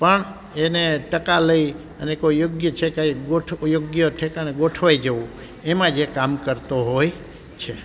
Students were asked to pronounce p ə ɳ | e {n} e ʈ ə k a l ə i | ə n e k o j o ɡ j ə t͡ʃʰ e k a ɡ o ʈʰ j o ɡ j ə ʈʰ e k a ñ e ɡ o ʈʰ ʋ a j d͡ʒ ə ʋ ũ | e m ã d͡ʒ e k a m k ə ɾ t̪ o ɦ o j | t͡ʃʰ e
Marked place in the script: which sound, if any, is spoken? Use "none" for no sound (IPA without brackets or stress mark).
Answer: n